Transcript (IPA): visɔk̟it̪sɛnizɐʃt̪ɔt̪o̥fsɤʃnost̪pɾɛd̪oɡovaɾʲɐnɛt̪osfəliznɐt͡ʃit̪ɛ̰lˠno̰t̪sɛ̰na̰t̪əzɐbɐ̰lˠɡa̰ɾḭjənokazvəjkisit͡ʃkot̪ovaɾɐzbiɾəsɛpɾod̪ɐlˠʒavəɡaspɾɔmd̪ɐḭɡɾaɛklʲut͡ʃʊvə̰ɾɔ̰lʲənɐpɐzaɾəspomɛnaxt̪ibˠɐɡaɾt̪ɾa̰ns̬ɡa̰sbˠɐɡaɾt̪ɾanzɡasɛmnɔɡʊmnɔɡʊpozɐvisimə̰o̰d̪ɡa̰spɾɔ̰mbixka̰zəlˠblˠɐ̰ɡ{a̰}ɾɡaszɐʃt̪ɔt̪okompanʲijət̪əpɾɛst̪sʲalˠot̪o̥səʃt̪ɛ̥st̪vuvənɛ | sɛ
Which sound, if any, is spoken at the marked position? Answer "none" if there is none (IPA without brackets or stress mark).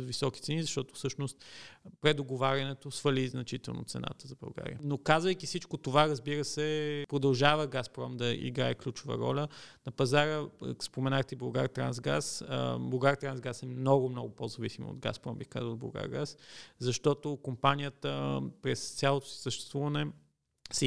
a̰